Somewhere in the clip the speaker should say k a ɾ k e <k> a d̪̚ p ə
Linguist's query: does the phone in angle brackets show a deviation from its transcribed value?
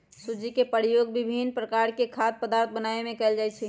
yes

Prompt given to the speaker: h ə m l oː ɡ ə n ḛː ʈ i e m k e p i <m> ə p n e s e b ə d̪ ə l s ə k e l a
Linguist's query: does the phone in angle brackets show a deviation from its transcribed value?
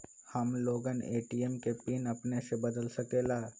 yes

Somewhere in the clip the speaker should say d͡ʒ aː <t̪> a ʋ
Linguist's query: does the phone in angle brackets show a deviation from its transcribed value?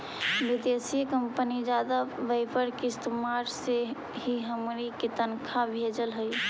yes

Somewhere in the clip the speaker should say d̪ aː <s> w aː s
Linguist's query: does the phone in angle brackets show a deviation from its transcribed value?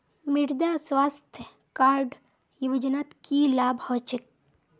no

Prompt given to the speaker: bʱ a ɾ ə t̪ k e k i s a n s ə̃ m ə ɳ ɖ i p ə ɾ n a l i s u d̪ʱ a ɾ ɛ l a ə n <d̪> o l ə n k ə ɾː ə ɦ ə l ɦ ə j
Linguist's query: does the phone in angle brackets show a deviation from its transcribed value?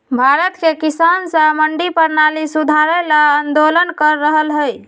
no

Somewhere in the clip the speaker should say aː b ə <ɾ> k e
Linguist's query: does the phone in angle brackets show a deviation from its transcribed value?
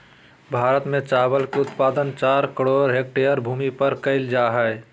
yes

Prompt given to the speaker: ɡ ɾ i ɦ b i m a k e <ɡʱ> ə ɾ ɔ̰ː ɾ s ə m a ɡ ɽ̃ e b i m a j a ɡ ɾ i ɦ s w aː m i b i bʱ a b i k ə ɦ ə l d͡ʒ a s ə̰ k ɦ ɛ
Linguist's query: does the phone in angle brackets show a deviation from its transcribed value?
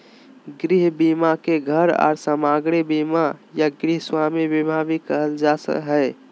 no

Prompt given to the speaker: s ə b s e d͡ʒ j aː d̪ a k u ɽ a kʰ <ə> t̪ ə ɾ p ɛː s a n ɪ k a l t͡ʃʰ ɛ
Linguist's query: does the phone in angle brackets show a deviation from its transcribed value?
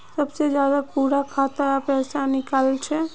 yes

